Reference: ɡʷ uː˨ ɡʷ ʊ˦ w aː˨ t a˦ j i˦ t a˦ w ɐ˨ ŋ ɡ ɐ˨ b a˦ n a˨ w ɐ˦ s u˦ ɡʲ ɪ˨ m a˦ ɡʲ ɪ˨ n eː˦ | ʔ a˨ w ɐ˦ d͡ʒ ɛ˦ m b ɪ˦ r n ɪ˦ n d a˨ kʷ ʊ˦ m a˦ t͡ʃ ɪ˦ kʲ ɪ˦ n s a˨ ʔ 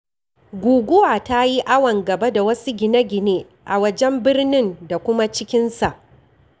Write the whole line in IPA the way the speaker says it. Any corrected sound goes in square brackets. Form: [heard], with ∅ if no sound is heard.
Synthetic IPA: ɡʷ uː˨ ɡʷ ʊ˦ w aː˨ t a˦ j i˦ [ʔ] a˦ w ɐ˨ ŋ ɡ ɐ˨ b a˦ [d] a˨ w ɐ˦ s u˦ ɡʲ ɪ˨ [n] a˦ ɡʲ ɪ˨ n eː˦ | ʔ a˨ w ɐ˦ d͡ʒ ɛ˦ m b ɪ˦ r n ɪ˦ n d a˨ kʷ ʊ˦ m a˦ t͡ʃ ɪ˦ kʲ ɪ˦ n s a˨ ʔ